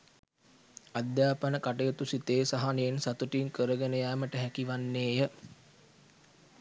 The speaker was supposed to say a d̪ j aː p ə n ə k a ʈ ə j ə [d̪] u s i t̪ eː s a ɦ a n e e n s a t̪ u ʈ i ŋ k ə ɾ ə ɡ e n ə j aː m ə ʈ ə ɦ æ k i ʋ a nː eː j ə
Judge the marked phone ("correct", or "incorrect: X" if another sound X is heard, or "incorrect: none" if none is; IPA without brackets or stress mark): incorrect: t̪